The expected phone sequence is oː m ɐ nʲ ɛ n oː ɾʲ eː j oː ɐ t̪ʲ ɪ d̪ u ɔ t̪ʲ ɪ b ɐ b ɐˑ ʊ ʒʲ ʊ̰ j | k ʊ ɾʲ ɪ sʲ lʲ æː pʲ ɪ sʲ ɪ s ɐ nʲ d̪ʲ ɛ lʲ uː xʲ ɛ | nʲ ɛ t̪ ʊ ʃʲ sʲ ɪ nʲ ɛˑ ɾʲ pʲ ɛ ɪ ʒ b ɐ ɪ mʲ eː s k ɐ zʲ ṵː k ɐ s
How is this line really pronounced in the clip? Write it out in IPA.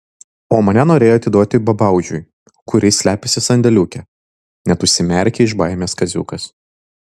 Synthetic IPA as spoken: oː m ɐ nʲ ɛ n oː ɾʲ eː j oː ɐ t̪ʲ ɪ d̪ u ɔ t̪ʲ ɪ b ɐ b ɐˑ ʊ ʒʲ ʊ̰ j | k ʊ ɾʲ ɪ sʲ lʲ æː pʲ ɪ sʲ ɪ s ɐ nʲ d̪ʲ ɛ lʲ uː kʲ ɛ | nʲ ɛ t̪ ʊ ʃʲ sʲ ɪ mʲ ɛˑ ɾʲ kʲ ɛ ɪ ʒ b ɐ ɪ mʲ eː s k ɐ zʲ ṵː k ɐ s